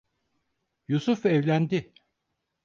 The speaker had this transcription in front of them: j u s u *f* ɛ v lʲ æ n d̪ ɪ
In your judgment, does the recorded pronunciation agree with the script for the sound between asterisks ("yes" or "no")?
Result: yes